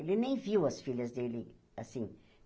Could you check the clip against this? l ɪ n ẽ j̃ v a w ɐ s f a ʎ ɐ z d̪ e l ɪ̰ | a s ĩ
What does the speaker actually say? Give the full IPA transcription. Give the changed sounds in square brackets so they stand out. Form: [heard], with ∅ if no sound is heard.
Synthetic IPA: l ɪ n ẽ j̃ v [i] w ɐ s f [i] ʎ ɐ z d̪ e l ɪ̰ | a s ĩ